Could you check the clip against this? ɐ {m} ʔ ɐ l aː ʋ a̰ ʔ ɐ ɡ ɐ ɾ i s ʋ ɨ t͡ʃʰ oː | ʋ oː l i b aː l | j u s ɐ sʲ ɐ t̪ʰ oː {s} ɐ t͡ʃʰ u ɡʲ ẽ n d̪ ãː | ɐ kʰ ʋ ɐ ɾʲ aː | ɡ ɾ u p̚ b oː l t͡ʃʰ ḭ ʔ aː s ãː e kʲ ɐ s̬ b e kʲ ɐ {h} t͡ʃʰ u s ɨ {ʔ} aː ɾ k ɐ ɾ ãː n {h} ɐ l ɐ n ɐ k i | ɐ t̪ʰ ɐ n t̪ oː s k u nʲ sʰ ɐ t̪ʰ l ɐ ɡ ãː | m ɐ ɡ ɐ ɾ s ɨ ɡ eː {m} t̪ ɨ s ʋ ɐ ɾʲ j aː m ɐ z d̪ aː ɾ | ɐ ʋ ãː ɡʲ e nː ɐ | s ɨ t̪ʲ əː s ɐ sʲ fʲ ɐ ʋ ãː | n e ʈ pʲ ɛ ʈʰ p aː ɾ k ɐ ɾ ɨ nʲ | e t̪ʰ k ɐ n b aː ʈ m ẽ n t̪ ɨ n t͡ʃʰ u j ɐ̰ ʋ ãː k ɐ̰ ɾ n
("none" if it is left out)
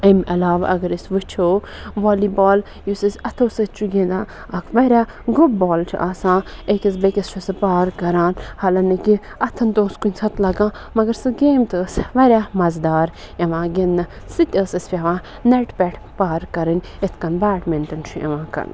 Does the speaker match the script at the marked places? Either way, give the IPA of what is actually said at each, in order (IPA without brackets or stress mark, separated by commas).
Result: m, s, s, p, h, m